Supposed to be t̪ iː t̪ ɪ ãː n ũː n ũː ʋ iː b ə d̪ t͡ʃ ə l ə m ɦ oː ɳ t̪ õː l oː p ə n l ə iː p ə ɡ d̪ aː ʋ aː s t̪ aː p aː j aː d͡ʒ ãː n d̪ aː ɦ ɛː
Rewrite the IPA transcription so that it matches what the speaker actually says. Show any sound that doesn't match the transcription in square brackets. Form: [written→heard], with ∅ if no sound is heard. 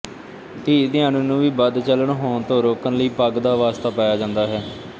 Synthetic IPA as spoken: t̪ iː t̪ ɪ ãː n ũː n ũː ʋ iː b ə d̪ t͡ʃ ə l ə [m→ɳ] ɦ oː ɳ t̪ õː [l→ɾ] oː [p→k] ə n l ə iː p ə ɡ d̪ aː ʋ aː s t̪ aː p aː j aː d͡ʒ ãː n d̪ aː ɦ ɛː